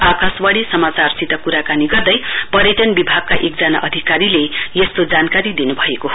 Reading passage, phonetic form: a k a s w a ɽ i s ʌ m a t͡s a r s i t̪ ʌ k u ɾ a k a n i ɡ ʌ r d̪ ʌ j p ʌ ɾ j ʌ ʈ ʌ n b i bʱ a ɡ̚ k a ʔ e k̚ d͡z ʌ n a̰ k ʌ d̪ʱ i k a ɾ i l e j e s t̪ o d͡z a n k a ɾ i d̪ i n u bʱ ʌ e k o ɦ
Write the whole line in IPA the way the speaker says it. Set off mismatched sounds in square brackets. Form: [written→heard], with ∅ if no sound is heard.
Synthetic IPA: a k a s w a ɽ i s ʌ m a t͡s a r s i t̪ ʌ k u ɾ a k a n i ɡ ʌ r d̪ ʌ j p ʌ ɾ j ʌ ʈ ʌ n b i bʱ a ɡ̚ k a ʔ e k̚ d͡z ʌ n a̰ [k→ʔ] ʌ d̪ʱ i k a ɾ i l e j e s t̪ o d͡z a n k a ɾ i d̪ i n u bʱ ʌ e k o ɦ